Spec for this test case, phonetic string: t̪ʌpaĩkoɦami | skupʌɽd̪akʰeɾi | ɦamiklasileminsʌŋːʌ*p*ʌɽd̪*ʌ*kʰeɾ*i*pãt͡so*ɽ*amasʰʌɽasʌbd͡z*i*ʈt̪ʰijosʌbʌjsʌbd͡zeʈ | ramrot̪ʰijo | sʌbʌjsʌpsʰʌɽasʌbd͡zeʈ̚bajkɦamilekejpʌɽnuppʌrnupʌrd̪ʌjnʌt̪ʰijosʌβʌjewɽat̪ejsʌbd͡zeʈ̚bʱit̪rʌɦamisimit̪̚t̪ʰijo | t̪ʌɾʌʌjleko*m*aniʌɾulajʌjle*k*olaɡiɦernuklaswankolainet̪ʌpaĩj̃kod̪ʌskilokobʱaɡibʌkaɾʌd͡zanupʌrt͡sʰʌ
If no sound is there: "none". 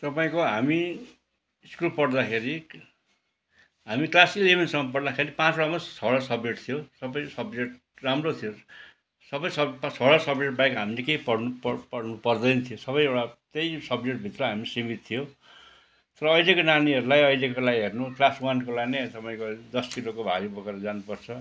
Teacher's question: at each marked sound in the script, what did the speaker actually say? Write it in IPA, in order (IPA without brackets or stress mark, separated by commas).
p, a, i, ɽ, e, n, k